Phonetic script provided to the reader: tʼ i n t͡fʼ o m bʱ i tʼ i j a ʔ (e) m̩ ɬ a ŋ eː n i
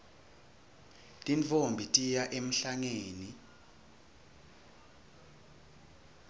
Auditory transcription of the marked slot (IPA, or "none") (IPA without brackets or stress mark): e